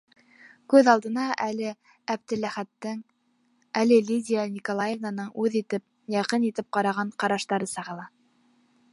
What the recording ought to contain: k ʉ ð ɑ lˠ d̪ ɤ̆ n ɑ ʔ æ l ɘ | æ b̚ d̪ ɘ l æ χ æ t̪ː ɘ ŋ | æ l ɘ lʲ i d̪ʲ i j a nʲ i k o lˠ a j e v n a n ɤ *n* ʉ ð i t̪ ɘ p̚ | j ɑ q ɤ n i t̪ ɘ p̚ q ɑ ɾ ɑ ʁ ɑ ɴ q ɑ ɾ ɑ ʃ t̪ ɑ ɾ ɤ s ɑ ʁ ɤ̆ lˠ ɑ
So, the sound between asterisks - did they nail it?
no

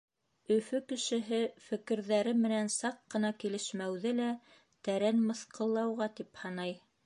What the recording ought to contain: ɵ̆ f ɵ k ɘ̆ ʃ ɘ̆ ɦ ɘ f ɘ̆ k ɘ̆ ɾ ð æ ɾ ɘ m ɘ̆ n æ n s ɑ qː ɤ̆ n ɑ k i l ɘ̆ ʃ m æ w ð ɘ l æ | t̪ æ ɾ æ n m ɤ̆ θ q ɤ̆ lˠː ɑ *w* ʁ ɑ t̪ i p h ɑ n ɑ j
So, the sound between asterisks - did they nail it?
yes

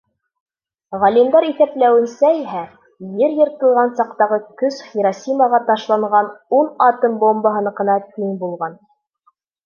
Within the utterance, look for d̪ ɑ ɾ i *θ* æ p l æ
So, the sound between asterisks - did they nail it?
yes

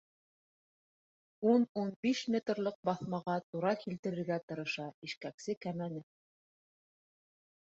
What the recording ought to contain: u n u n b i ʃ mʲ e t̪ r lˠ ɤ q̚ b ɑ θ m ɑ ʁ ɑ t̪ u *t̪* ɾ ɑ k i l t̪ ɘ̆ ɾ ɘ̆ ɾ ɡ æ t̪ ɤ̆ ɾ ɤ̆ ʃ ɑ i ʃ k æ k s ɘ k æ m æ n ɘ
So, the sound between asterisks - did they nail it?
no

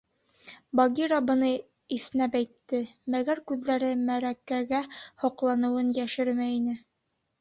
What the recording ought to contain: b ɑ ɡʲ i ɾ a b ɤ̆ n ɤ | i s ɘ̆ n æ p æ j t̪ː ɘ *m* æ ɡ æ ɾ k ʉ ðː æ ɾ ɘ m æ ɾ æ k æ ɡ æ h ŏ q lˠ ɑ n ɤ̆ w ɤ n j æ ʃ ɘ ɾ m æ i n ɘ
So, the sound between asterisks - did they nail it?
yes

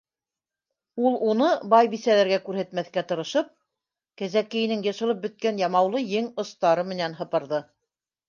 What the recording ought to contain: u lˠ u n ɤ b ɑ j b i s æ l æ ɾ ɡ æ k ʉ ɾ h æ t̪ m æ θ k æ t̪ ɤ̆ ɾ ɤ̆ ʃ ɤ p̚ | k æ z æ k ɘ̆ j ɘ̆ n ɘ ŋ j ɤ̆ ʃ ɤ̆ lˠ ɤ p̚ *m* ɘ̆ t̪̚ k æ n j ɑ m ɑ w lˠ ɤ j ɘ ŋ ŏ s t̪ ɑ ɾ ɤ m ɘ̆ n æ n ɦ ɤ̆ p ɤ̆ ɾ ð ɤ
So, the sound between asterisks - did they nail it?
no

